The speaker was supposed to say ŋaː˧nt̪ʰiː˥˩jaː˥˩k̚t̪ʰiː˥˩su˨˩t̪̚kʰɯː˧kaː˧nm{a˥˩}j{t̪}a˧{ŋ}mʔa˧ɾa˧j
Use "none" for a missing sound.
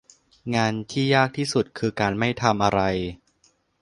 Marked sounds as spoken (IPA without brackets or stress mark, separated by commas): a˥˩, t̪ʰ, none